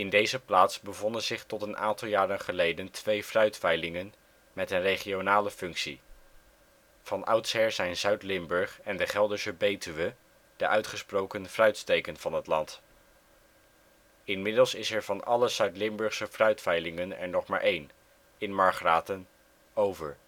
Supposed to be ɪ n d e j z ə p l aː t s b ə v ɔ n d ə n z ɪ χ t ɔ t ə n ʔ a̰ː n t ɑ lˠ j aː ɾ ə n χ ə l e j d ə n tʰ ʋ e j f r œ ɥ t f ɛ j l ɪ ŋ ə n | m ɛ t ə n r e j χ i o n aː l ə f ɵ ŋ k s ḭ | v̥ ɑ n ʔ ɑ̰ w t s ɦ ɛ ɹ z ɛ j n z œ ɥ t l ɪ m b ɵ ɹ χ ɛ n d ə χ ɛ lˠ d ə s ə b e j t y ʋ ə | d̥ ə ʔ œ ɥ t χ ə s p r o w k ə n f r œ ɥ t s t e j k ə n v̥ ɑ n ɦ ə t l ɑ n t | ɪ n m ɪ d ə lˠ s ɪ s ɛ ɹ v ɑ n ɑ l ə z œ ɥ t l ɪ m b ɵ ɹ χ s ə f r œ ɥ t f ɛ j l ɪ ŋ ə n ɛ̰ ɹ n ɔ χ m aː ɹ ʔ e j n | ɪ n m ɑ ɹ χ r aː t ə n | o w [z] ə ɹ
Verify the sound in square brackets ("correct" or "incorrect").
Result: incorrect